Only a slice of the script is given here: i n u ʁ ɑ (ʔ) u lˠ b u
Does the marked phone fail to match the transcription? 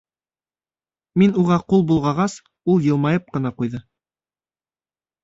yes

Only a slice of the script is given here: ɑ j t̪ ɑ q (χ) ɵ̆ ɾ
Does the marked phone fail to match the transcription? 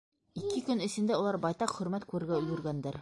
no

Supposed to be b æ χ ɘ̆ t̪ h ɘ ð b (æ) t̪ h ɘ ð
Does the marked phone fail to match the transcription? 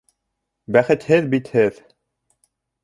yes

